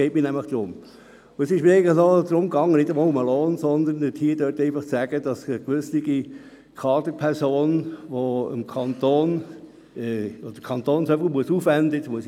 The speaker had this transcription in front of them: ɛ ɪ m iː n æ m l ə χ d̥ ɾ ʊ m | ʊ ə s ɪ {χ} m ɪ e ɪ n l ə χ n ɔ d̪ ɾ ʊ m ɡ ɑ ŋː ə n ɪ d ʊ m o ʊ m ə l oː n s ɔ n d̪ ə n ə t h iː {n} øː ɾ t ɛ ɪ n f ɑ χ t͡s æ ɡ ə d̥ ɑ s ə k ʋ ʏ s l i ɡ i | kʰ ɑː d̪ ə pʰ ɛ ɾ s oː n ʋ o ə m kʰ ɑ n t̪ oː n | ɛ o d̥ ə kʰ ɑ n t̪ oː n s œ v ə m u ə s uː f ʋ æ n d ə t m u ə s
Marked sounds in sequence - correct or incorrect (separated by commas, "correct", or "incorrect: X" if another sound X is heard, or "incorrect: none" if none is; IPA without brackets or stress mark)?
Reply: incorrect: ʃ, incorrect: d